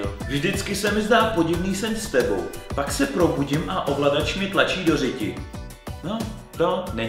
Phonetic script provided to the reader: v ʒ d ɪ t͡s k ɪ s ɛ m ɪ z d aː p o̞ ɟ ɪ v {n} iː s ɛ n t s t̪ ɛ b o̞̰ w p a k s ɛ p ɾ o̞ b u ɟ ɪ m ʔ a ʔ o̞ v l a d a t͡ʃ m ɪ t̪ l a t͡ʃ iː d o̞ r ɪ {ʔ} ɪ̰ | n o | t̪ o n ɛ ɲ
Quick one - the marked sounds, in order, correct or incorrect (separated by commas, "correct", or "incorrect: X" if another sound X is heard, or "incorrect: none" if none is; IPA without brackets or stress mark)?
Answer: correct, incorrect: c